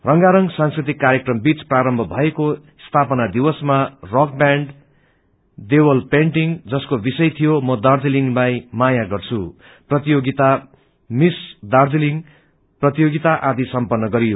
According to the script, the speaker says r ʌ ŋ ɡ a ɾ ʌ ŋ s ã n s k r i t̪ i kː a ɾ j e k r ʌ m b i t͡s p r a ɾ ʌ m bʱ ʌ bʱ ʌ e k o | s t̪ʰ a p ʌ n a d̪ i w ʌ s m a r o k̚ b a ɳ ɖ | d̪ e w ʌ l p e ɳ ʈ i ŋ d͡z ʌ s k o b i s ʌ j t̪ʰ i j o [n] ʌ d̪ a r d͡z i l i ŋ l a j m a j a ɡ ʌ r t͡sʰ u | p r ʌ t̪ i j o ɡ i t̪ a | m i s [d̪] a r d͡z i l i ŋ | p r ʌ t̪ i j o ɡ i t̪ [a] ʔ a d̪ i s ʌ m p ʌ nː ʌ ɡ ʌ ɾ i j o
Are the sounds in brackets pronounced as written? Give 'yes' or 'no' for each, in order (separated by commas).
no, yes, yes